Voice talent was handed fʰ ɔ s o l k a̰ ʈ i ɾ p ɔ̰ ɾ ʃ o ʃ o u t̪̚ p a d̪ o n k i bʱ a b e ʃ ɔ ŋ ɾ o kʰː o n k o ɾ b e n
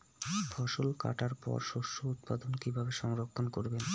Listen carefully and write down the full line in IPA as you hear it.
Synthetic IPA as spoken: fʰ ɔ ʃ o l k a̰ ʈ a ɾ p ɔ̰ ɾ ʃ o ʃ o u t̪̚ p a d̪ o n k i bʱ a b e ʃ ɔ ŋ ɾ o kʰː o n k o ɾ b e n